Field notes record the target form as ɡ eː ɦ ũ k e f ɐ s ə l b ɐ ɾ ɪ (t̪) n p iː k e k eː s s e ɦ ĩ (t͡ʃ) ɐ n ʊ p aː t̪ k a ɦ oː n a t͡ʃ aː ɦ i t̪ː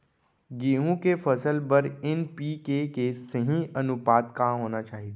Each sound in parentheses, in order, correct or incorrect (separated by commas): incorrect, incorrect